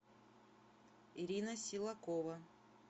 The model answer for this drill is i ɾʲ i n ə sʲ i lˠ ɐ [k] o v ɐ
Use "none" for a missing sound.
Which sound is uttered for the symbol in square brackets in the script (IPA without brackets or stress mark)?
k